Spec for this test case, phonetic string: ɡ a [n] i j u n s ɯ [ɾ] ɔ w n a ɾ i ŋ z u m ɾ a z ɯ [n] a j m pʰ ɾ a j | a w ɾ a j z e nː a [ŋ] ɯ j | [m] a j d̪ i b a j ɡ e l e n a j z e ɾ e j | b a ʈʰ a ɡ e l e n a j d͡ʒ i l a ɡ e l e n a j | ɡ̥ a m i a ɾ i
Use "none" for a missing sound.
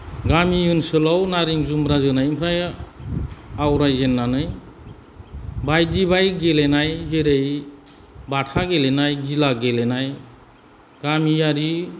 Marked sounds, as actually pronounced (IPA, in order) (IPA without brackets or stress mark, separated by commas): m, l, n, n, b